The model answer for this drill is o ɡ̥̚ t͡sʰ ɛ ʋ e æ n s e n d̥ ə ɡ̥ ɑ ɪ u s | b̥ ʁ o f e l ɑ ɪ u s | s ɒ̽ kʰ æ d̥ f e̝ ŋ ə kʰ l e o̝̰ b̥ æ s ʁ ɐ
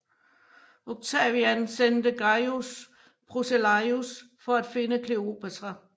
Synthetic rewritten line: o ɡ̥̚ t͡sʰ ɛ ʋ i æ n s e n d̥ ə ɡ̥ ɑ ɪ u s | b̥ ʁ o s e l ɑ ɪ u s | f ɒ̽ æ d̥ f e̝ n ə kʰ l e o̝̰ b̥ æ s ʁ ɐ